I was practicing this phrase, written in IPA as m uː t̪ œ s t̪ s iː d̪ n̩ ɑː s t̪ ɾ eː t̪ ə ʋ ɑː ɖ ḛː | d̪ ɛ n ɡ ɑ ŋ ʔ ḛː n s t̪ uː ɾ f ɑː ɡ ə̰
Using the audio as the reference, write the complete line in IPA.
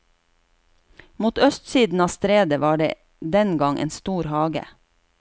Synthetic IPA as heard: m uː t̪ œ s t̪ s iː d̪ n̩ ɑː s t̪ ɾ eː d̪ ə ʋ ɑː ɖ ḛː | d̪ ɛ n ɡ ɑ ŋ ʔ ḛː n s t̪ uː ɾ h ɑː ɡ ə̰

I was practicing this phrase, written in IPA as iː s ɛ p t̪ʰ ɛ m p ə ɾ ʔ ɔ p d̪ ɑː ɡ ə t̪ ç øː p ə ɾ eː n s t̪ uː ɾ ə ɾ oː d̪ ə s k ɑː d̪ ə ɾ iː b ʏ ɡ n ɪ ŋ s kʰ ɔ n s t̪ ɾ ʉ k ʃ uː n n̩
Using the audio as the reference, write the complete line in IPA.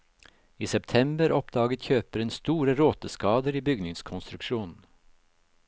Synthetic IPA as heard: iː s ɛ p t̪ʰ ɛ m b ə ɾ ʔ ɔ p d̪ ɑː ɡ ə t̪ ç øː p ə ɾ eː n s t̪ uː ɾ ə ɾ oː t̪ ə s k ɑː d̪ ə ɾ iː b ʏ ɡ n ɪ ŋ s kʰ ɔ n s t̪ ɾ ʉ k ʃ uː n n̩

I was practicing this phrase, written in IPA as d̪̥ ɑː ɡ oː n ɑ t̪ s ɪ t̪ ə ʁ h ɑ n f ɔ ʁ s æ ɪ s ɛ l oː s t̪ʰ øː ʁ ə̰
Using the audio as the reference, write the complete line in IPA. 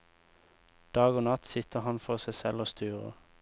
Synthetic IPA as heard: d̪̥ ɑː ɡ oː n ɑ t̪ s ɪ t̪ ə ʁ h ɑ n f ɔ ʁ s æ ɪ s ɛ l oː s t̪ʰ yː ʁ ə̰

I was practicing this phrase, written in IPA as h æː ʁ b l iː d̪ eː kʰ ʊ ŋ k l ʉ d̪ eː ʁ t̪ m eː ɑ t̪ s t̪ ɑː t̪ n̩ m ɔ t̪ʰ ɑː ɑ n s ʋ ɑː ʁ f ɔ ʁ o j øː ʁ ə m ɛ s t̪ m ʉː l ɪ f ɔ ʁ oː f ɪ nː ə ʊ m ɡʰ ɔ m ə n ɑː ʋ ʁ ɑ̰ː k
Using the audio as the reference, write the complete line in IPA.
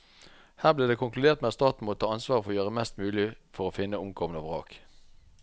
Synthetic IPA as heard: h æː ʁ b l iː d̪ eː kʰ ʊ ŋ k l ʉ d̪ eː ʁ t̪ m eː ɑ t̪ s t̪ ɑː t̪ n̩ m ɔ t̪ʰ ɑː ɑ n s ʋ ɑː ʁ f ɔ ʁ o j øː ʁ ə m ɛ s t̪ m ʉː l ɪ f ɔ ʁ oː f ɪ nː ə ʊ m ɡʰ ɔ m ə n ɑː ʋ ʁ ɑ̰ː k

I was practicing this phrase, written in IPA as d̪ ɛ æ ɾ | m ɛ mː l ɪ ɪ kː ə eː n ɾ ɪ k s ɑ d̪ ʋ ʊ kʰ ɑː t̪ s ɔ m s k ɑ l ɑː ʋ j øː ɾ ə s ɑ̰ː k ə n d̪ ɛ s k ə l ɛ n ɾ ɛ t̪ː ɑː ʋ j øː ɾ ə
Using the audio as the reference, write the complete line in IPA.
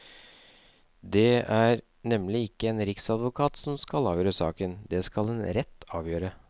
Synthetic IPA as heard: d̪ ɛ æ ɾ | n ɛ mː l ɪ ɪ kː ə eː n ɾ ɪ k s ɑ d̪ ʋ ʊ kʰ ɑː t̪ s ɔ m s k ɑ l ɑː ʋ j øː ɾ ə s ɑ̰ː k ə n d̪ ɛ s k ɑ l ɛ n ɾ ɛ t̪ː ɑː ʋ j øː ɾ ə

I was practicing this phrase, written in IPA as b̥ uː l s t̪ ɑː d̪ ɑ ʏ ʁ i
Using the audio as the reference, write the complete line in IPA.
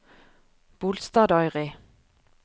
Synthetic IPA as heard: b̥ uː l s t̪ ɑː d̪ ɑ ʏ ʁ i

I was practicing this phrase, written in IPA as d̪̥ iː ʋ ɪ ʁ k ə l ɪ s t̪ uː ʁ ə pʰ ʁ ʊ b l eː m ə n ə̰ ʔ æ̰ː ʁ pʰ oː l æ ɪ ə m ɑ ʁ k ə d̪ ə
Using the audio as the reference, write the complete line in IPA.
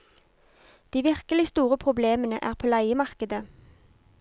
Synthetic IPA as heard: d̪̥ iː ʋ ɪ ʁ k ə l ɪ s t̪ uː ʁ ə pʰ ʁ ʊ b l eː m ə n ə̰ ʔ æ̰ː ʁ pʰ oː l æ ɪ ə m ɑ ʁ k ə d̪ ə

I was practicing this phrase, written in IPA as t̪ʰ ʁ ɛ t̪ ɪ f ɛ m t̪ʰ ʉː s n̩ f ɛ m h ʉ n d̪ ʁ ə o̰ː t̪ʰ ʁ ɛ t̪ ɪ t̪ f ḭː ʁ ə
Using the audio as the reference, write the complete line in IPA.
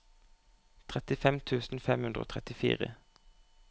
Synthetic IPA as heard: t̪ʰ ʁ ɛ t̪ ɪ f ɛ m t̪ʰ ʉː s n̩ f ɛ m h ʉ n d̪ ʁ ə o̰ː t̪ʰ ʁ ɛ t̪ ɪ f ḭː ʁ ə

